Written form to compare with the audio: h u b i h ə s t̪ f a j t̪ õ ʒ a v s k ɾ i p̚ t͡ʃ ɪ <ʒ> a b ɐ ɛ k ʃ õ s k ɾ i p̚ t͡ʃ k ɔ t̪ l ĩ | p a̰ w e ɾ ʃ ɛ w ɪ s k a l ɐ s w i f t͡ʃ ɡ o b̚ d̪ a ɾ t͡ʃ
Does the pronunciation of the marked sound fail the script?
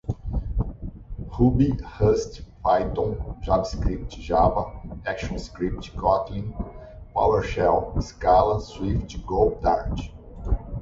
no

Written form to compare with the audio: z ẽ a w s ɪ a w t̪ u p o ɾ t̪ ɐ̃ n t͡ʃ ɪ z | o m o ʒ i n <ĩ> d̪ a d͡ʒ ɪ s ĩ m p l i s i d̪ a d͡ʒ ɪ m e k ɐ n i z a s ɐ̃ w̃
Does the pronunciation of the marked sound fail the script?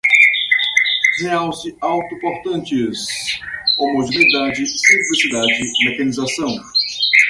yes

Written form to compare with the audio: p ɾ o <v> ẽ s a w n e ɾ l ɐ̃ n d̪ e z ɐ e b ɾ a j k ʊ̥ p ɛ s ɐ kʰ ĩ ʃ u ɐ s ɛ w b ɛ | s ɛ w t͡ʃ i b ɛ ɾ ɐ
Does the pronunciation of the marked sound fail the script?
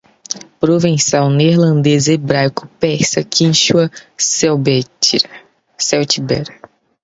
no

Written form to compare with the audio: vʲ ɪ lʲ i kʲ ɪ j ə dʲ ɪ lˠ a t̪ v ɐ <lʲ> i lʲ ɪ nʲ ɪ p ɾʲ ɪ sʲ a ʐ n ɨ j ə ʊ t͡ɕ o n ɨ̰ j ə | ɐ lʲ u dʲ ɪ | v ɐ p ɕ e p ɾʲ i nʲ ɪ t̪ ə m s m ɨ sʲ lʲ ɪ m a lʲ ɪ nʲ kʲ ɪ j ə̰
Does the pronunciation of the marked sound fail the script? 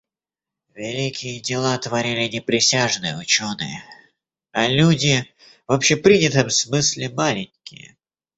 yes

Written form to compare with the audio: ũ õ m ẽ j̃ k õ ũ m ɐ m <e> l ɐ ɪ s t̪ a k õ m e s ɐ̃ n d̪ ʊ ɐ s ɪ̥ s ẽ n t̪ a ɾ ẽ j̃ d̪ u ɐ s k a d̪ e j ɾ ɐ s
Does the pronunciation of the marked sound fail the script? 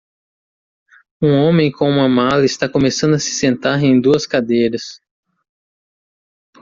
yes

